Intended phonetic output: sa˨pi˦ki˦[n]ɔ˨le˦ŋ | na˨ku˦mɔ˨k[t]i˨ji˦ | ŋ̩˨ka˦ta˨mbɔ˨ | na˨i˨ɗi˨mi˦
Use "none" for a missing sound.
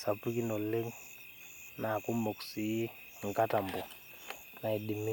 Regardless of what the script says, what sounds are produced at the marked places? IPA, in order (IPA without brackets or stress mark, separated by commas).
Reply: n, s